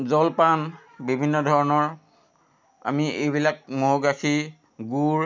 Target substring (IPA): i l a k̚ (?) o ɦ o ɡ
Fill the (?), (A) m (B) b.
A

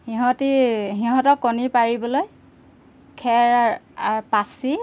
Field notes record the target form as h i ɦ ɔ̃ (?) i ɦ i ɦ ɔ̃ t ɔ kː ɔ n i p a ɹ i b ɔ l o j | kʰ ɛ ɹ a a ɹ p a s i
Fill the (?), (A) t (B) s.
A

